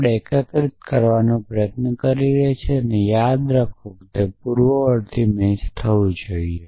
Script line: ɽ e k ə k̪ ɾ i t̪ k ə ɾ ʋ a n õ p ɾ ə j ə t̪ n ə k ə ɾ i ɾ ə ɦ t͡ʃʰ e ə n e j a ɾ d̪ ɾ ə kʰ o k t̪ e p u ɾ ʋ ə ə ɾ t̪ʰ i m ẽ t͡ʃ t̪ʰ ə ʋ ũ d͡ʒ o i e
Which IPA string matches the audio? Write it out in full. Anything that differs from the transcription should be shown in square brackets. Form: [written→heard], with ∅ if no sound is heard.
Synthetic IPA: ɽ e k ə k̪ ɾ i t̪ k ə ɾ ʋ a n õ p ɾ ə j ə t̪ n ə k ə ɾ i ɾ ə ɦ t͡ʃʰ e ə n e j a [ɾ→∅] d̪ ɾ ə kʰ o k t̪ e p u ɾ ʋ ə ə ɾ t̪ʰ i m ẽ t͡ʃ t̪ʰ ə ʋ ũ d͡ʒ o i e